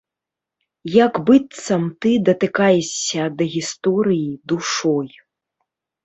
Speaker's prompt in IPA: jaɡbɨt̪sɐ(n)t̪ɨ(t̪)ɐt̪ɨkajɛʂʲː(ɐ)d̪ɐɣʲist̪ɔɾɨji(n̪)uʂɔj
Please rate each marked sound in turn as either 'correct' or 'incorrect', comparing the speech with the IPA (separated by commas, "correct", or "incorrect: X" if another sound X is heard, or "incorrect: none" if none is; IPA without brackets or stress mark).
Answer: incorrect: m, incorrect: d̪, correct, incorrect: d̪